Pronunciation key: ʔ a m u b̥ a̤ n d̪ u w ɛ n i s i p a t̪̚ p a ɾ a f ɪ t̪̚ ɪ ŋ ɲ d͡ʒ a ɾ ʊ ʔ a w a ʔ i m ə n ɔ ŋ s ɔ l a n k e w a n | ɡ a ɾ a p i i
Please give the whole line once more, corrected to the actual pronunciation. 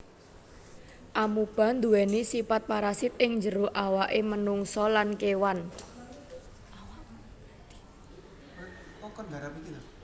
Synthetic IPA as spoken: ʔ a m u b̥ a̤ n d̪ u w ɛ n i s i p a t̪̚ p a ɾ a s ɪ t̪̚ ɪ ŋ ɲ d͡ʒ ə ɾ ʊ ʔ a w a ʔ e m ə n u ŋ s ɔ l a n k e w a n | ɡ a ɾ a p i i

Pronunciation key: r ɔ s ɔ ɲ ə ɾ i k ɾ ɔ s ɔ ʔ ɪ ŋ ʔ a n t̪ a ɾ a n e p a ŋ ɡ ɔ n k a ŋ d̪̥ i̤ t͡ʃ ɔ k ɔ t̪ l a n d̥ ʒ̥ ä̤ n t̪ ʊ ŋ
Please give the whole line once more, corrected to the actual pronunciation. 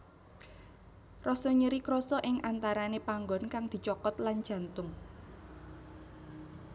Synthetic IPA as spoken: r ɔ s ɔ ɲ ə ɾ i k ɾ ɔ s ɔ ʔ ɪ ŋ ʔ a n t̪ a ɾ a n e p a ŋ ɡ ɔ n k a ŋ d̪̥ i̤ t͡ʃ ɔ k ɔ t̪ l a n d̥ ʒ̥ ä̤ n t̪ ʊ ŋ

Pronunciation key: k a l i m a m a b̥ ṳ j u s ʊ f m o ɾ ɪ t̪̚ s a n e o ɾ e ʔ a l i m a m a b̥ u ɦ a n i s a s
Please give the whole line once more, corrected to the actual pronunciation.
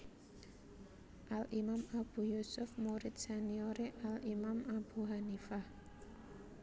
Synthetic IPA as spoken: ʔ a l i m a m a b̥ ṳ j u s ʊ f m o ɾ ɪ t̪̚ s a n i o ɾ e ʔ a l i m a m a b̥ u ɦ a n i f a h

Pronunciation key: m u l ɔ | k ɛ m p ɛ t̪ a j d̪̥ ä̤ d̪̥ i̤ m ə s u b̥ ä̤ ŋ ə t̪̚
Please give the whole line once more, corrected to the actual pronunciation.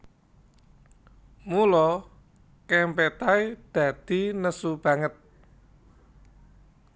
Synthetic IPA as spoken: m u l ɔ | k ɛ m p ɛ t̪ a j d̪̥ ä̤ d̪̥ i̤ n ə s u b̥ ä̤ ŋ ə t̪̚

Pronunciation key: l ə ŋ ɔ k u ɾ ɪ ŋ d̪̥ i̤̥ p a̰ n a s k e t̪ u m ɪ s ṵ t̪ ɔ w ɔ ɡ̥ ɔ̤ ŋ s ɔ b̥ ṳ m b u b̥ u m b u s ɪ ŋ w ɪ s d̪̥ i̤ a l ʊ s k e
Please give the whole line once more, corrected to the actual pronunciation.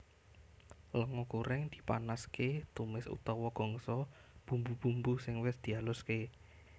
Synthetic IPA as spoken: l ə ŋ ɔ k u ɾ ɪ ŋ d̪̥ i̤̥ p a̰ n a s k e t̪ u m ɪ s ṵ t̪ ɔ w ɔ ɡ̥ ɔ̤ ŋ s ɔ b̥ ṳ m b u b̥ u m b u s ɪ ŋ w ɪ s d̪̥ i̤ a l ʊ s k e

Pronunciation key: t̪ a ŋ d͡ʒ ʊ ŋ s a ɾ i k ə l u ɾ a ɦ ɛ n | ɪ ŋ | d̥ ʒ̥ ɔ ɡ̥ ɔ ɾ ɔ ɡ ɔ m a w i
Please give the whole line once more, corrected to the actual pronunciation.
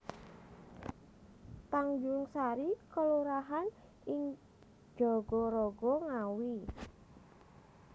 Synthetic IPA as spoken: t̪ a ŋ d͡ʒ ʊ ŋ s a ɾ i k ə l u ɾ a ɦ a n | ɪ ŋ | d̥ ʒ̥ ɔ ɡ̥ ɔ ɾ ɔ ɡ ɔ ŋ a w i

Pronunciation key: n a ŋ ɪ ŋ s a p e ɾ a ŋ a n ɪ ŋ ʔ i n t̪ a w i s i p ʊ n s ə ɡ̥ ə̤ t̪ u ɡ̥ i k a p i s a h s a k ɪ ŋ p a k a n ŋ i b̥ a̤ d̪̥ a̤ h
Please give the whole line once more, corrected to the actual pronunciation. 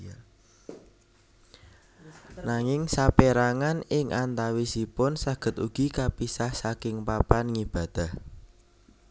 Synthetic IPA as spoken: n a ŋ ɪ ŋ s a p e ɾ a ŋ a n ɪ ŋ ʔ a n t̪ a w i s i p ʊ n s a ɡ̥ ə̤ t̪ u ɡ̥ i k a p i s a h s a k ɪ ŋ p a p a n ŋ i b̥ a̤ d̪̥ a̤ h

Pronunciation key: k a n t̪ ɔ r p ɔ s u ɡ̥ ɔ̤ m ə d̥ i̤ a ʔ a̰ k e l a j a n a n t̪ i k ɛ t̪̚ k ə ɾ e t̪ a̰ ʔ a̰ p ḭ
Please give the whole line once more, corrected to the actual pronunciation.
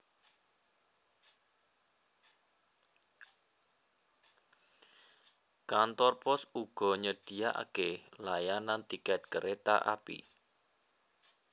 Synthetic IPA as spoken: k a n t̪ ɔ r p ɔ s u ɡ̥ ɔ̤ ɲ ə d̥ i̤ a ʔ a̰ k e l a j a n a n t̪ i k ɛ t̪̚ k ə ɾ e t̪ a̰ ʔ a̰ p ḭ

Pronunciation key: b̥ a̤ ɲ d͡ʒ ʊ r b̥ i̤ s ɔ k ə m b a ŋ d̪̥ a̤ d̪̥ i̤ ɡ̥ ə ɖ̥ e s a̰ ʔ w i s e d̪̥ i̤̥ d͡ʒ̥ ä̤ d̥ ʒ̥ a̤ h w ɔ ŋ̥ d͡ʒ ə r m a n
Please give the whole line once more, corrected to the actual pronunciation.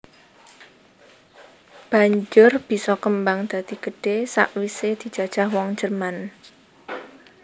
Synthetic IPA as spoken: b̥ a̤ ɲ d͡ʒ ʊ r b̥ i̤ s ɔ k ə m b a ŋ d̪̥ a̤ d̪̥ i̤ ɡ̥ ə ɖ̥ e s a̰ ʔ w i s e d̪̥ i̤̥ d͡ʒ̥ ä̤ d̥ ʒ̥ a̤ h w ɔ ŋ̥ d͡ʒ ə r m a n

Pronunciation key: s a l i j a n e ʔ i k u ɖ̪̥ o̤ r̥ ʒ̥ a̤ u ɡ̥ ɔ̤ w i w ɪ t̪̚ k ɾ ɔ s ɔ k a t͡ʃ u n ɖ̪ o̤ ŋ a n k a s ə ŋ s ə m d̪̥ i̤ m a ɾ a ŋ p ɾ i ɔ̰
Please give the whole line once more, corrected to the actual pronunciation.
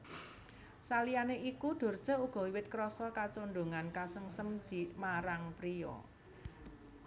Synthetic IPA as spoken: s a l i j a n e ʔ i k u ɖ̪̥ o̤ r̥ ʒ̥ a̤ u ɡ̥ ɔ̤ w i w ɪ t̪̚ k ɾ ɔ s ɔ k a t͡ʃ o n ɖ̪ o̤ ŋ a n k a s ə ŋ s ə m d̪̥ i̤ m a ɾ a ŋ p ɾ i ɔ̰

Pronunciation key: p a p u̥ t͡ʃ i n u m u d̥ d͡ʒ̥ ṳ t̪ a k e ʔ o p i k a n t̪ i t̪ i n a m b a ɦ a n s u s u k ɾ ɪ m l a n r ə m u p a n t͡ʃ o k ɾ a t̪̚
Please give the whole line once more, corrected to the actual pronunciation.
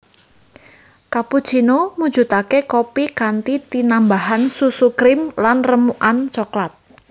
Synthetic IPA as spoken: k a p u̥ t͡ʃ i n o m u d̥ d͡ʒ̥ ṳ t̪ a k e k o p i k a n t̪ i t̪ i n a m b a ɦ a n s u s u k ɾ ɪ m l a n r ə m u ʔ a n t͡ʃ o k l a t̪̚

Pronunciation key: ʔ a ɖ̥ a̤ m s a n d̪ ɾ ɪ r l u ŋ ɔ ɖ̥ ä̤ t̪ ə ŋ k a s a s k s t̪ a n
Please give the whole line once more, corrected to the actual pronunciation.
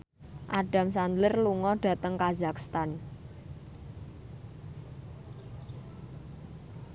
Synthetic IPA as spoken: ʔ a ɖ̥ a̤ m s a n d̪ l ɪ r l u ŋ ɔ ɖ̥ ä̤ t̪ ə ŋ k a z a k s t̪ a n

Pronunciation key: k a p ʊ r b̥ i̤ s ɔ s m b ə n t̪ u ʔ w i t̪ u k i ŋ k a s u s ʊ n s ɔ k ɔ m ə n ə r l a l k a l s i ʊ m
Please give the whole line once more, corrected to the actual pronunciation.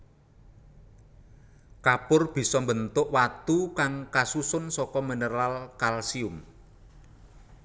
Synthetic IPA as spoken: k a p ʊ r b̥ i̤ s ɔ m b ə n t̪ ʊ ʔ w a t̪ u k a ŋ k a s u s ʊ n s ɔ k ɔ m ə n ə r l a l k a l s i ʊ m

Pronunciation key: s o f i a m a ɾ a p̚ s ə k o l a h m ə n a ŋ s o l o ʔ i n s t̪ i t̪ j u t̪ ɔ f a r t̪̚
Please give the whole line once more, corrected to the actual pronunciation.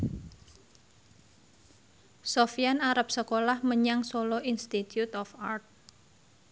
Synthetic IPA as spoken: s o f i a n a ɾ a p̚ s ə k o l a h m ə ɲ a ŋ s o l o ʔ i n s t̪ i t̪ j u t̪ ɔ f a r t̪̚

